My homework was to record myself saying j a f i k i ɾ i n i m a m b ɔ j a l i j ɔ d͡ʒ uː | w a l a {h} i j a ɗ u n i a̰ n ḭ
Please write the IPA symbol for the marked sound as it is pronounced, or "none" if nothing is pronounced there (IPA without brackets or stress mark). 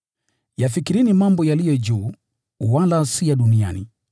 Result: s